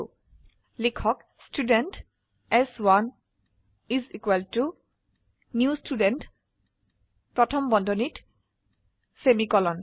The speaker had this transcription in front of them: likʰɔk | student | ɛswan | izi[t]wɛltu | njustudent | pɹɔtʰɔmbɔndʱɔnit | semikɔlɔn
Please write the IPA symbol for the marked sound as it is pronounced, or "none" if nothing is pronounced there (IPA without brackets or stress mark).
k